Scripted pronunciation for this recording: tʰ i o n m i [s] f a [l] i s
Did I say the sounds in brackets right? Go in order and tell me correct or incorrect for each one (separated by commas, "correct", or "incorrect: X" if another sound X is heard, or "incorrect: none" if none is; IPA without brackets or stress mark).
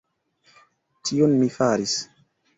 incorrect: none, incorrect: ɾ